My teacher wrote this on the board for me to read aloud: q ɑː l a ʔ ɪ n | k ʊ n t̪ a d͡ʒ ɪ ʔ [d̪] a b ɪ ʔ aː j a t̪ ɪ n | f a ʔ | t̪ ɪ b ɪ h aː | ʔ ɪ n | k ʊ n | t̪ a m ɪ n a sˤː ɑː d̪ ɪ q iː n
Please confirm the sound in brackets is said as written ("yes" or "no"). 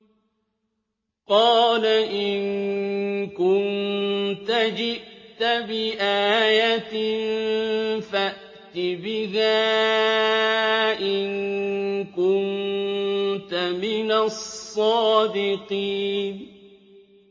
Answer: no